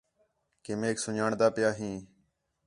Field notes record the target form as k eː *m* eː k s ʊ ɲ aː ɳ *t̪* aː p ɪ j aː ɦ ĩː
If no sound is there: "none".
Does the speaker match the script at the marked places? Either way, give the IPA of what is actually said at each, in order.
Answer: m, d̪

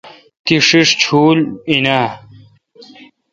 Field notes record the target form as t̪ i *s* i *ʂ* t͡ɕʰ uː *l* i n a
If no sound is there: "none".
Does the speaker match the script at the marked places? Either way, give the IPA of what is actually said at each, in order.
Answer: ʂ, ʂ, l

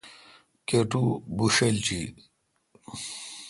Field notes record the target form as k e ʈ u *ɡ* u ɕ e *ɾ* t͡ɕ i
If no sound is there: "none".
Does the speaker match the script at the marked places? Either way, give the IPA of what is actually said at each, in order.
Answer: b, l

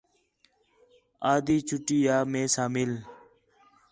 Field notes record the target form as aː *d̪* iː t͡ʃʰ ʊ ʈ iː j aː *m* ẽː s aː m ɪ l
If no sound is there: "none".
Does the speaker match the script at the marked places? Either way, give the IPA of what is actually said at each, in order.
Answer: d̪, m

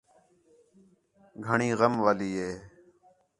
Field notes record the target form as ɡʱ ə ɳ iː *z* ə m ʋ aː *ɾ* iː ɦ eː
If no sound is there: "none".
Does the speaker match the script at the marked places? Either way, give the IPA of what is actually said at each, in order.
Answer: ɣ, l

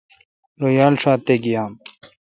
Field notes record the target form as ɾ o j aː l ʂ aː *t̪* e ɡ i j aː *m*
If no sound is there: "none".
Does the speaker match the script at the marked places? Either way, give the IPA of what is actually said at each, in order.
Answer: t̪, m

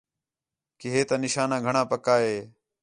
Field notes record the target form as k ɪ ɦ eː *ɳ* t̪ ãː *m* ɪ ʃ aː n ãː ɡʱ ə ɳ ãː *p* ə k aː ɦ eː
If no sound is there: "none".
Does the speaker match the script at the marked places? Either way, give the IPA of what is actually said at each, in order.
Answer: none, n, p

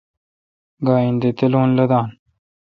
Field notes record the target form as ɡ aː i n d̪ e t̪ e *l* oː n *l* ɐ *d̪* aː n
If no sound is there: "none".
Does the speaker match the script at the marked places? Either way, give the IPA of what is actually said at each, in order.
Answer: l, l, d̪

